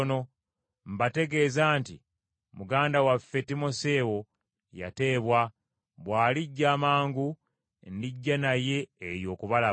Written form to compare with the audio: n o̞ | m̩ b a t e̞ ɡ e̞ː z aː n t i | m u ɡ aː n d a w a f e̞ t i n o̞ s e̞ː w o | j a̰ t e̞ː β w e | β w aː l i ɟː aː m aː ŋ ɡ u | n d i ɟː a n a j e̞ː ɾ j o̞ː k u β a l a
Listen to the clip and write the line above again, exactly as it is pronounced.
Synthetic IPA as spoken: n o̞ | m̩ b a t e̞ ɡ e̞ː z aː n t i | m u ɡ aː n d a w a f e̞ t i m o̞ s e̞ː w o | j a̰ t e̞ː β w a | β w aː l i ɟː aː m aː ŋ ɡ u | n d i ɟː a n a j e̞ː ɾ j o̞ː k u β a l a